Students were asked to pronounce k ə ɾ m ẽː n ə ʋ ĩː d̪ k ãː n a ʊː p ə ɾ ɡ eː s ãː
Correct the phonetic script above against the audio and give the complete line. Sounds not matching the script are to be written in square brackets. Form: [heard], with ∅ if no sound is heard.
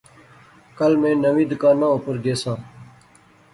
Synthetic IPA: k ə [l] m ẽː n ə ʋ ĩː d̪ k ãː n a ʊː p ə ɾ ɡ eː s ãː